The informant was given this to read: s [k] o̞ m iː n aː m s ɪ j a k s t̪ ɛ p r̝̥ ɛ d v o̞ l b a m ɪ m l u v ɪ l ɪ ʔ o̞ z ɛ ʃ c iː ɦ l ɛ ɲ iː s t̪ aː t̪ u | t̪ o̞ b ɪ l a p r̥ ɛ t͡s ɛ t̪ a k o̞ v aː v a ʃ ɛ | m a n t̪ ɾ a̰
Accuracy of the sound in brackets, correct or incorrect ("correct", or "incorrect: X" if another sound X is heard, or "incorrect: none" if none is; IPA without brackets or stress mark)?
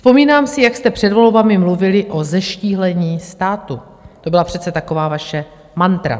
incorrect: p